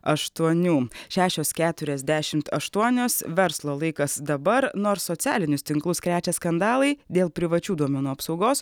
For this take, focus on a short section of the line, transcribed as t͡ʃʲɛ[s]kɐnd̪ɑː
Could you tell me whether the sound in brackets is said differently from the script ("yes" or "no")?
no